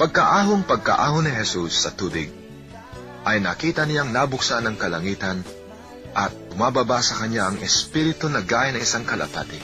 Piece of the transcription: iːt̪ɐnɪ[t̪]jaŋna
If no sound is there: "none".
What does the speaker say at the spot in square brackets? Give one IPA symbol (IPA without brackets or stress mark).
none